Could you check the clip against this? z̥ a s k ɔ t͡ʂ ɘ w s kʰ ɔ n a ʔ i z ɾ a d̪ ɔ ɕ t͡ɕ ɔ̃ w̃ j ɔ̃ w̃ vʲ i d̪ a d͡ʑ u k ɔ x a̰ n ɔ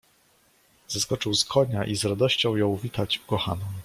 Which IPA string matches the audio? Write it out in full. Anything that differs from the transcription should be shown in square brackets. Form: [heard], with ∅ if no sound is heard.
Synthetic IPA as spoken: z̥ a s k ɔ t͡ʂ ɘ w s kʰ ɔ [ɲ] a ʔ i z ɾ a d̪ ɔ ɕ t͡ɕ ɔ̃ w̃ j ɔ̃ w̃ vʲ i [t̪] a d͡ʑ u k ɔ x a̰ n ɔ